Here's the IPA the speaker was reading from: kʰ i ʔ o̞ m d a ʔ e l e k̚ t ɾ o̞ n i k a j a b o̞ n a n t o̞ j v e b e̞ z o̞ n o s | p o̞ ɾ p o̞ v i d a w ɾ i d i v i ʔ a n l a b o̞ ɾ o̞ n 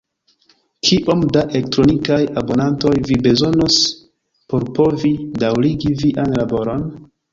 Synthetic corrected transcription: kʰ i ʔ o̞ m d a ʔ e l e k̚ t ɾ o̞ n i k a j a b o̞ n a n t o̞ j v i b e̞ z o̞ n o s | p o̞ ɾ p o̞ v i d a w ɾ i ɡ i v i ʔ a n l a b o̞ ɾ o̞ n